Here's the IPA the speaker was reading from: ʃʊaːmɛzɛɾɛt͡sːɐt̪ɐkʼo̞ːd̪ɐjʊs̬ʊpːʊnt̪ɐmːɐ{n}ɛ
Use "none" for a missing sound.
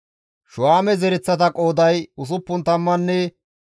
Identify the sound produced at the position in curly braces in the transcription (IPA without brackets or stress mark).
nː